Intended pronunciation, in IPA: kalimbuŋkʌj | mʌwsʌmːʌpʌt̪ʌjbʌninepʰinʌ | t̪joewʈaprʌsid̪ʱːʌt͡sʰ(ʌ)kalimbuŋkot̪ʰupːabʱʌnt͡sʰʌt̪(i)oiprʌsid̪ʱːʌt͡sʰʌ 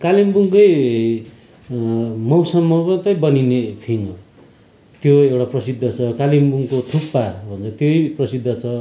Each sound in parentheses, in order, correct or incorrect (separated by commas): correct, incorrect